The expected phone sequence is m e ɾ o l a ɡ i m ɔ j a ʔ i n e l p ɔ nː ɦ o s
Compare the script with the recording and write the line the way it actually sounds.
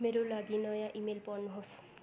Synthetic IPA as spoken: m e ɾ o l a ɡ i n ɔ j a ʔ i m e l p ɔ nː ɦ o s